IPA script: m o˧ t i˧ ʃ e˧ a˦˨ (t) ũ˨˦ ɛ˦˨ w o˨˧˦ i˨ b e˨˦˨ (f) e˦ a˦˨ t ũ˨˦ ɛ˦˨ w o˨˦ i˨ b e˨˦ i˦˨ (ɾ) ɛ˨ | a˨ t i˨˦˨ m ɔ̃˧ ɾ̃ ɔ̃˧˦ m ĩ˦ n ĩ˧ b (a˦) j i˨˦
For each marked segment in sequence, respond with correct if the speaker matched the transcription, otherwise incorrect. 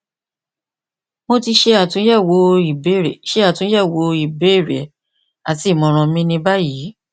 correct, incorrect: ʃ, correct, correct

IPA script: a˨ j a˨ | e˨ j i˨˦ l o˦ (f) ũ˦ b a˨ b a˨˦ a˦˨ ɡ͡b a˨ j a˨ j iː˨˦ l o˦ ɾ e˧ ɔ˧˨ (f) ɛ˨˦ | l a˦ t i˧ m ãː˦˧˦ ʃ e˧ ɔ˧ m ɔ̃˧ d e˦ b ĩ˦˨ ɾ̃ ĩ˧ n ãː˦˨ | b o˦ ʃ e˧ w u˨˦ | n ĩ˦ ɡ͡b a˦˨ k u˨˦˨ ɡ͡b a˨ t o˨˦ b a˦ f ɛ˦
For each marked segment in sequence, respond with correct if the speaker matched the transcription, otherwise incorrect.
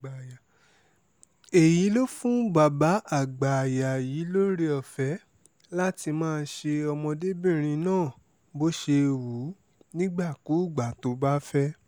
correct, correct

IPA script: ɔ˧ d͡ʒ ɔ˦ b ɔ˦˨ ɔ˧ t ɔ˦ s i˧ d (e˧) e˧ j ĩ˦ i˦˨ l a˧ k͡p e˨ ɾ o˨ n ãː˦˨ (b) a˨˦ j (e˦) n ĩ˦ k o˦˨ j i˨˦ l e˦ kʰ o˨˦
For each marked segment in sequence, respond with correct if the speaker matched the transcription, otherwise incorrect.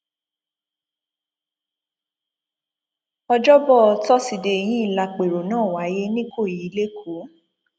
correct, incorrect: w, correct

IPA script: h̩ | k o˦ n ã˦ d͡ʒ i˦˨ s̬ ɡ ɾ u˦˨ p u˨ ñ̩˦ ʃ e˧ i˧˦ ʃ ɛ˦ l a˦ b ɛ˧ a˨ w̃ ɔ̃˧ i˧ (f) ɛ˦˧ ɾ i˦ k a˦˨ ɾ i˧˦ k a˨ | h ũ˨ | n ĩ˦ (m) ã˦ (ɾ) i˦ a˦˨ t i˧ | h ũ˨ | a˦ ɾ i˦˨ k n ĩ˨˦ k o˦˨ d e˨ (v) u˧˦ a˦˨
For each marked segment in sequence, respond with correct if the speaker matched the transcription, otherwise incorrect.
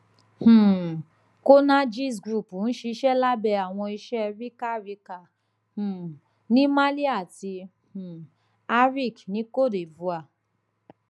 incorrect: ʃ, correct, incorrect: l, correct

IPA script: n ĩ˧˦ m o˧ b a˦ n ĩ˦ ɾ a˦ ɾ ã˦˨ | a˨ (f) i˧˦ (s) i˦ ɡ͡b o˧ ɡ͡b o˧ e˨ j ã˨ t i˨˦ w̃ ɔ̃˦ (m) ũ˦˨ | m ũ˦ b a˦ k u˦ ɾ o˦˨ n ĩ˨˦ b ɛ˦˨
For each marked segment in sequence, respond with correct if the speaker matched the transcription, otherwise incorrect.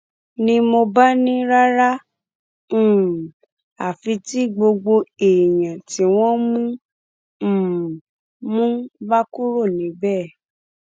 correct, incorrect: t, correct

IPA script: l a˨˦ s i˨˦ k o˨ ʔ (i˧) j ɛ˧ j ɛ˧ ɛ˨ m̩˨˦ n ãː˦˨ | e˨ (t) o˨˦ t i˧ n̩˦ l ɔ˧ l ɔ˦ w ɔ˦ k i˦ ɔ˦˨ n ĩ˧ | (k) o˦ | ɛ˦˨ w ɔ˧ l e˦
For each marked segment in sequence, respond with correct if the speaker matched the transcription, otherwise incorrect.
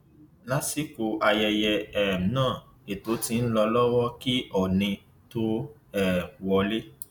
incorrect: a˧, correct, incorrect: t

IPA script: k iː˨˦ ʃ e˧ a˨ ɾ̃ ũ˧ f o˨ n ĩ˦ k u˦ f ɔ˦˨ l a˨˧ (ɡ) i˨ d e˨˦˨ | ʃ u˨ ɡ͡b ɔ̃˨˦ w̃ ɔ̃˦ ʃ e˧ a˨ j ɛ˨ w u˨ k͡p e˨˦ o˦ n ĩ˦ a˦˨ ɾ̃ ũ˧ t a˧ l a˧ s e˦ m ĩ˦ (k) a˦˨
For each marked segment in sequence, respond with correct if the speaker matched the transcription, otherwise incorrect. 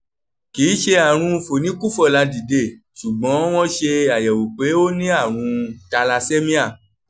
incorrect: d, incorrect: none

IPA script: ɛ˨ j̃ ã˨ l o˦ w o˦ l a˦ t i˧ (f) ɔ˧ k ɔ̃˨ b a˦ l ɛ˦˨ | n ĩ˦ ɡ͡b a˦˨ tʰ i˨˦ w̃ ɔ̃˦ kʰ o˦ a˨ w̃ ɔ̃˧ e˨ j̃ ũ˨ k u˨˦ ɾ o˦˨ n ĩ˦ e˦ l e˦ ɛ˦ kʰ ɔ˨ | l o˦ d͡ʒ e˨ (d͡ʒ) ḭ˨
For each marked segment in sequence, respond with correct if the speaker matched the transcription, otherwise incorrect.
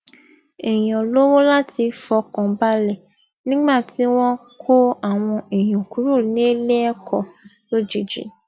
correct, correct

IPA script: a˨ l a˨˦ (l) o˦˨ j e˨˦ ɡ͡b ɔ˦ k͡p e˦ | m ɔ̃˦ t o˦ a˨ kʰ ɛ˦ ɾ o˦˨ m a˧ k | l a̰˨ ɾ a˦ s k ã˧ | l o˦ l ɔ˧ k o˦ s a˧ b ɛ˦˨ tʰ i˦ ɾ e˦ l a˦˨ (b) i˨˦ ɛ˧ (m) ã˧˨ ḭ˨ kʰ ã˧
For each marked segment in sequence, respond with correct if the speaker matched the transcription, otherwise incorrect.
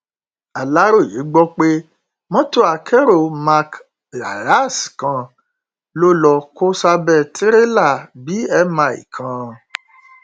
incorrect: ɾ, correct, correct

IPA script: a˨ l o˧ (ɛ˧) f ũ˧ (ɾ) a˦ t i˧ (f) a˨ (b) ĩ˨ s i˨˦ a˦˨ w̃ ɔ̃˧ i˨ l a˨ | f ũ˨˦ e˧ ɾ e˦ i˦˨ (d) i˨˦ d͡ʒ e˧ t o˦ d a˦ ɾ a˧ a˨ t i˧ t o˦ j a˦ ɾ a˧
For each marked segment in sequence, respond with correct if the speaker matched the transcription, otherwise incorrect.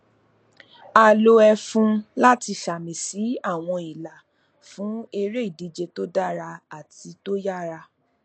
correct, incorrect: l, incorrect: ʃ, incorrect: m, correct

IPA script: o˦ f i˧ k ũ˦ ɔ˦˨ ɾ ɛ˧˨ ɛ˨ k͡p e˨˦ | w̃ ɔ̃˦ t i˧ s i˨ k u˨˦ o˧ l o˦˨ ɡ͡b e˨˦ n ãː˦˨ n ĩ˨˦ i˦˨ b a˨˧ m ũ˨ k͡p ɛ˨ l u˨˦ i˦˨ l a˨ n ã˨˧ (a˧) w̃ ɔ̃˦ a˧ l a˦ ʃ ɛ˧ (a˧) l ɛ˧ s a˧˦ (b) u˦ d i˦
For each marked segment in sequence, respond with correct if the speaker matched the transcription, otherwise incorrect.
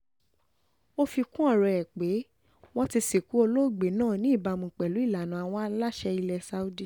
correct, incorrect: i˧, incorrect: none

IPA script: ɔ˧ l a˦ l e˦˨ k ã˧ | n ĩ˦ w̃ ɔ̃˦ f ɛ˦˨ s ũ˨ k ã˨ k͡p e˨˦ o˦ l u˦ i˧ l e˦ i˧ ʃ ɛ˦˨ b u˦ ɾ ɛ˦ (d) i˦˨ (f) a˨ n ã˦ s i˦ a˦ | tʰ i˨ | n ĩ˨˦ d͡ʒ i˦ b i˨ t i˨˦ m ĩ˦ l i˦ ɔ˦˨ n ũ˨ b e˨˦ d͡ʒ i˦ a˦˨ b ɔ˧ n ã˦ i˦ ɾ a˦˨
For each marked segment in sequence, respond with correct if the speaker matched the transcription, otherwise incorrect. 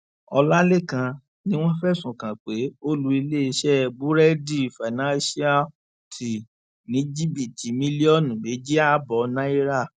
correct, correct

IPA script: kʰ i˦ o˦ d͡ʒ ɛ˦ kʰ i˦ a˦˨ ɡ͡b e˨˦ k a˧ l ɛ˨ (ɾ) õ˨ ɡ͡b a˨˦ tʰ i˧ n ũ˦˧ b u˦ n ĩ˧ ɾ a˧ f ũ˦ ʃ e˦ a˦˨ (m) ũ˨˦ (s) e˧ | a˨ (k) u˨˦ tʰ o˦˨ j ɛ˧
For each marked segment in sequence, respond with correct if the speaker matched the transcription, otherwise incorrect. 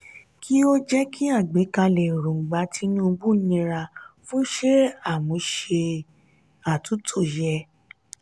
correct, correct, incorrect: ʃ, incorrect: t

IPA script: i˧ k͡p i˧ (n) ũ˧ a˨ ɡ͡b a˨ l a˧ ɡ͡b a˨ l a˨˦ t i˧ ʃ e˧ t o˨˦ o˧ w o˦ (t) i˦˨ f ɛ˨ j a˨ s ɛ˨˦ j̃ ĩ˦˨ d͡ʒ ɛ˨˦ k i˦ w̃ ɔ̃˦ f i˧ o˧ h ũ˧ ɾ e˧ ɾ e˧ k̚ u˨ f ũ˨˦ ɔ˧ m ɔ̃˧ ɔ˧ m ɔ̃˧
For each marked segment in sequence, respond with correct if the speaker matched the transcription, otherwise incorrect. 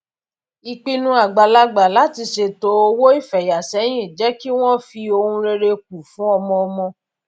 correct, incorrect: none

